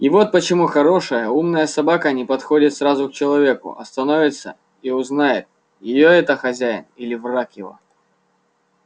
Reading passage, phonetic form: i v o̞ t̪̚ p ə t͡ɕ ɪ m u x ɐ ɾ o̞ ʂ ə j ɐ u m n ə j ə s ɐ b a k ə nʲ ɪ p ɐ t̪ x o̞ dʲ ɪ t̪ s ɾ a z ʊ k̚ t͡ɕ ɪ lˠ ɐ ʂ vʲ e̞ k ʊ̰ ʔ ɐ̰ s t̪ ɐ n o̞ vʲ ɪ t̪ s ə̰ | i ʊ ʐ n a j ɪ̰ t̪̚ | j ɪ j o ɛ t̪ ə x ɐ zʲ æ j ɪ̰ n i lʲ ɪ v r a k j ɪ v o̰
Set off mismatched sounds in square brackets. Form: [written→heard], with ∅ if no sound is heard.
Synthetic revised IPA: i v o̞ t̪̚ p ə t͡ɕ ɪ m u x ɐ ɾ o̞ ʂ ə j [ɐ→ə] u m n ə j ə s ɐ b a k ə nʲ ɪ p ɐ t̪ x o̞ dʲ ɪ t̪ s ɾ a z ʊ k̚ t͡ɕ ɪ lˠ ɐ [ʂ→∅] vʲ e̞ k ʊ̰ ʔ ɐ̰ s t̪ ɐ n o̞ vʲ ɪ t̪ s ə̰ | i ʊ [ʐ→z] n a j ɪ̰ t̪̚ | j ɪ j o ɛ t̪ ə x ɐ zʲ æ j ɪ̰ n i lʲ ɪ v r a k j ɪ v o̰